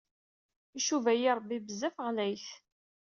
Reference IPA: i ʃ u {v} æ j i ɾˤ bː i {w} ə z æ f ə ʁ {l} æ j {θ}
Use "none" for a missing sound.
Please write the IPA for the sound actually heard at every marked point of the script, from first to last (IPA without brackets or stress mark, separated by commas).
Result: v, b, l, θ